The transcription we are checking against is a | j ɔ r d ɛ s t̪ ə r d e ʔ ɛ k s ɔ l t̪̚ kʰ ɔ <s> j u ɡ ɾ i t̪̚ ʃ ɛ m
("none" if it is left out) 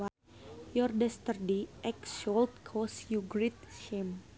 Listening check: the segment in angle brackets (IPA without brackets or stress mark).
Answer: s